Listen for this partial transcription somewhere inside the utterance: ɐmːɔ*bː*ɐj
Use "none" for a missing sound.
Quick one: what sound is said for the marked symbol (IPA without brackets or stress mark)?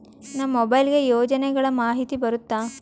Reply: b